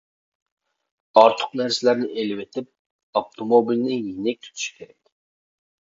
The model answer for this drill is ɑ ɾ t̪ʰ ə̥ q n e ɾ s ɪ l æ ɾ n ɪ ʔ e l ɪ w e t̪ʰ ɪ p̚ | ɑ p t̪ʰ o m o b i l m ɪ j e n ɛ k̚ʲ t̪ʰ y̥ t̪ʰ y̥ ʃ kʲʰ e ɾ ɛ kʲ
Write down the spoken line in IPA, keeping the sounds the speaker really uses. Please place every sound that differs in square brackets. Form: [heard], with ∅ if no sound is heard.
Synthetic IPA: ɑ ɾ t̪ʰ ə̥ q n [æ] ɾ s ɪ l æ ɾ n ɪ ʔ e l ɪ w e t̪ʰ ɪ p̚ | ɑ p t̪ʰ o m o b i l [n] ɪ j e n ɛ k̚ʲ t̪ʰ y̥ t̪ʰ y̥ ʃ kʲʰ e ɾ ɛ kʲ